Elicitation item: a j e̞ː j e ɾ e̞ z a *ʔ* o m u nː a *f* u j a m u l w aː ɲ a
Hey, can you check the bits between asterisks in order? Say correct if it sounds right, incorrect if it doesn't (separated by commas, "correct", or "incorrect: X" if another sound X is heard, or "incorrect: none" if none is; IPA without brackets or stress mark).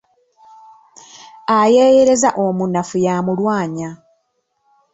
correct, correct